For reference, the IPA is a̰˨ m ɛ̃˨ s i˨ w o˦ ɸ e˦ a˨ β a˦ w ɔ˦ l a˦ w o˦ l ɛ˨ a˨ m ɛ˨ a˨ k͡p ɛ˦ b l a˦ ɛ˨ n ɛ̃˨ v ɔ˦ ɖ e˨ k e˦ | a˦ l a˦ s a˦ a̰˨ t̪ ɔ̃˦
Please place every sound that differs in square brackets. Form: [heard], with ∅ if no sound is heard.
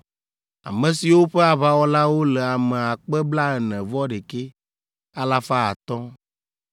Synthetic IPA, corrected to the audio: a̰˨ m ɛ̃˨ s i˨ w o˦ ɸ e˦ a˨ β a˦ w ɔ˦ l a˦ w o˦ l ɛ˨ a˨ m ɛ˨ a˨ k͡p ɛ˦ b l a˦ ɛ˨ n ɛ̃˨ v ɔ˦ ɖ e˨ k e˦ | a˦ l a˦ [f] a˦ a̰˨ t̪ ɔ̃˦